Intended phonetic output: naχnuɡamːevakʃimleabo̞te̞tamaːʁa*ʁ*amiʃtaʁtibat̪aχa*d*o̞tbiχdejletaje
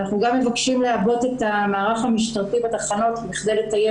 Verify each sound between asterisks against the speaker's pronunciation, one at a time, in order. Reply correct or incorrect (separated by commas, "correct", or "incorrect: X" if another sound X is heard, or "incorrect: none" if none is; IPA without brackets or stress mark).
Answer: incorrect: χ, incorrect: n